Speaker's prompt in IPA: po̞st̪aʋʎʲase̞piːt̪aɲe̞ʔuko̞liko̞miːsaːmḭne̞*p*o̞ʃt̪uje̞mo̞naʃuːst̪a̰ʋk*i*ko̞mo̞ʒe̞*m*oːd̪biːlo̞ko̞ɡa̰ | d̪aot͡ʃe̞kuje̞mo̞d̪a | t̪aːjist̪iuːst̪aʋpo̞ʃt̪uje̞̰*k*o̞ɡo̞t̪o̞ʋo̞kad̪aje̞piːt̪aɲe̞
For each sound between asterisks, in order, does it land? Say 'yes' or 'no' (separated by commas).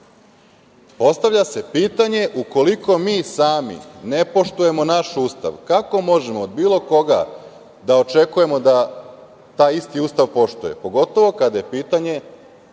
yes, no, yes, no